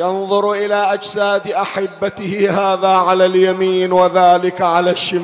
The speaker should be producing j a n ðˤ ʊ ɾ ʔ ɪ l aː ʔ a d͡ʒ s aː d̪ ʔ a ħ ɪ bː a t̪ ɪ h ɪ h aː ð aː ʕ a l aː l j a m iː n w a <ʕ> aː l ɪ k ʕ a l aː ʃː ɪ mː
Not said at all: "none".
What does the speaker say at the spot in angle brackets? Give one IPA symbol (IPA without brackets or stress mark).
ð